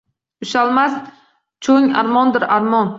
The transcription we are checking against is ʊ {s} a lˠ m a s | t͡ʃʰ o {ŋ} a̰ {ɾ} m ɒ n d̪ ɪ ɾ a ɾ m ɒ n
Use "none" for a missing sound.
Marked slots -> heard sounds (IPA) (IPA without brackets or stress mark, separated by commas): ʃ, ŋ, ɾ